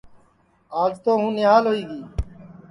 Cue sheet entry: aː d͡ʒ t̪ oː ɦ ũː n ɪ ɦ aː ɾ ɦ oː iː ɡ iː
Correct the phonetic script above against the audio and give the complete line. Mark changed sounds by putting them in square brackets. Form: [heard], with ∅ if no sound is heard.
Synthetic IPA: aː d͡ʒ t̪ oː ɦ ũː n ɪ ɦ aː [l] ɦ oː iː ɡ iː